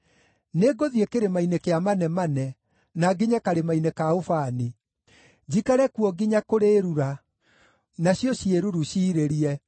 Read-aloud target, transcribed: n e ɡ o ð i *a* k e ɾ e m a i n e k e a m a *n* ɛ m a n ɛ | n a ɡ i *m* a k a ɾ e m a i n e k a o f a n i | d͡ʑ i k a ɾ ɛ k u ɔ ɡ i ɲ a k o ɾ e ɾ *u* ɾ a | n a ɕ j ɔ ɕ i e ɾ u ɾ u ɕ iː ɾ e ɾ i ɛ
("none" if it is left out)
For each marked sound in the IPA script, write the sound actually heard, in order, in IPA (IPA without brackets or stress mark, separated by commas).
e, n, ɲ, u